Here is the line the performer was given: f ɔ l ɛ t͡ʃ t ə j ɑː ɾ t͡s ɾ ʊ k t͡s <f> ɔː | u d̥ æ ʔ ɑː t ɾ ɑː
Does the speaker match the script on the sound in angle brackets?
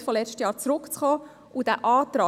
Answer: no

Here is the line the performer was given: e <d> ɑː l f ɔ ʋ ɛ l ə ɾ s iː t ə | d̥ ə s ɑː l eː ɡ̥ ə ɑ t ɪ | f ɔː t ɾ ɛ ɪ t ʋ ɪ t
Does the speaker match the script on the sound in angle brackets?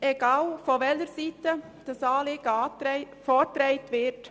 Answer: no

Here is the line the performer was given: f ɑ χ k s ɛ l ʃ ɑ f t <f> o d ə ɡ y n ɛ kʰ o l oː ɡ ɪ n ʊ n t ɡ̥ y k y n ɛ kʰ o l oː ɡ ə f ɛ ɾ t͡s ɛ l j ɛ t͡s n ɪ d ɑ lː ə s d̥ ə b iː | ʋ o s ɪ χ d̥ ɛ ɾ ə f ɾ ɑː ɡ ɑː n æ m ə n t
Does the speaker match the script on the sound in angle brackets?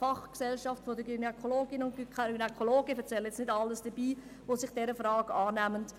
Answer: yes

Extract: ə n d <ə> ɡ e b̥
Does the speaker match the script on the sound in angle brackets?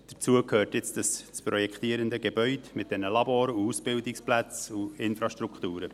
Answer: yes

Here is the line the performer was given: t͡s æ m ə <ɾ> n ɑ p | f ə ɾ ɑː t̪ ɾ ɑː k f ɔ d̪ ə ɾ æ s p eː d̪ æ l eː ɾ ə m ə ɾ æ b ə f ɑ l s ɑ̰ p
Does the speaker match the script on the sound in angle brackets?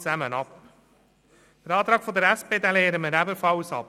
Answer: no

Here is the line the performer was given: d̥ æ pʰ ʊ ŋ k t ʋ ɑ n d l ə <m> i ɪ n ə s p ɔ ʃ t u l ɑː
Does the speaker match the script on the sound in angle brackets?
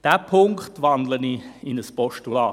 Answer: no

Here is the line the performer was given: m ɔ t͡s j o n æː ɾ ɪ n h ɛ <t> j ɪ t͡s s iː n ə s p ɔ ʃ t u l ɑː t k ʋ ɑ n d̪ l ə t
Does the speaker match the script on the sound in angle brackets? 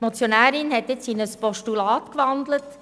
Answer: yes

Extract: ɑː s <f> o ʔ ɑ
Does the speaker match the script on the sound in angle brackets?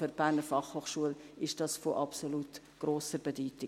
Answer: yes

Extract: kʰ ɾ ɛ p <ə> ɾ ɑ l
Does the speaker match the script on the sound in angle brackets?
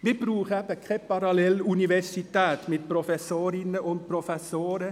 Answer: no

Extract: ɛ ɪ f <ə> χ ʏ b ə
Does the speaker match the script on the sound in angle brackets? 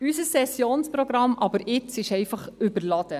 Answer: no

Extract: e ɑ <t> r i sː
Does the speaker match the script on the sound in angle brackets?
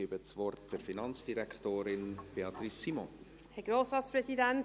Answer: yes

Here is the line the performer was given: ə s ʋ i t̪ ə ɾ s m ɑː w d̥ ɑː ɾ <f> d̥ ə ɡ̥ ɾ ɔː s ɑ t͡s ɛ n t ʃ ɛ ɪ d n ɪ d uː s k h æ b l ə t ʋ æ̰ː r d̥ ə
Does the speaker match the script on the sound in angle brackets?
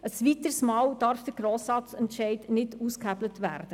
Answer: yes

